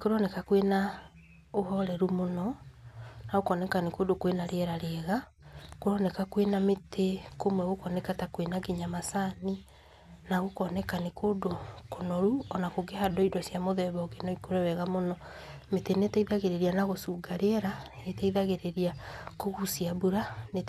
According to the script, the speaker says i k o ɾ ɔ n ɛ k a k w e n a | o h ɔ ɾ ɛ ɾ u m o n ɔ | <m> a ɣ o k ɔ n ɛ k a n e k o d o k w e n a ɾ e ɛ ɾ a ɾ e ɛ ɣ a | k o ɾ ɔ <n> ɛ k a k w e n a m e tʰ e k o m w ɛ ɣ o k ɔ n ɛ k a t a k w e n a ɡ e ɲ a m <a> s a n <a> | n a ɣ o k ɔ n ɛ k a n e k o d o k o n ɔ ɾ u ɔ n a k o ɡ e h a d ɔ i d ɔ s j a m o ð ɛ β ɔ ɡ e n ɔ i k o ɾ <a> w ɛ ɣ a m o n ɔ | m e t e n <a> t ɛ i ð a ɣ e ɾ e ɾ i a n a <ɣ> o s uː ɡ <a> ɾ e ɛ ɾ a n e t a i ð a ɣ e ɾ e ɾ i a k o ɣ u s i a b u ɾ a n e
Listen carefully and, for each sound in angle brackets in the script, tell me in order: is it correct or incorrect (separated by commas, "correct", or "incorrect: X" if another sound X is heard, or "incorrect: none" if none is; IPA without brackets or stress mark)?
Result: incorrect: n, correct, correct, incorrect: i, incorrect: ɛ, incorrect: e, correct, correct